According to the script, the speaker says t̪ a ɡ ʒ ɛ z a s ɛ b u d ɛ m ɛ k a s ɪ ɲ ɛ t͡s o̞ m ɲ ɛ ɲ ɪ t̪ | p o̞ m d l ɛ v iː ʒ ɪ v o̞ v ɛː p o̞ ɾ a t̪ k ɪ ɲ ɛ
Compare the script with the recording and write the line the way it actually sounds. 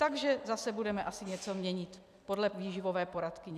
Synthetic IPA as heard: t̪ a ɡ ʒ ɛ z a s ɛ b u d ɛ m ɛ ʔ a s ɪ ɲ ɛ t͡s o̞ m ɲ ɛ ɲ ɪ t̪ | p o̞ d l ɛ v iː ʒ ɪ v o̞ v ɛː p o̞ ɾ a t̪ k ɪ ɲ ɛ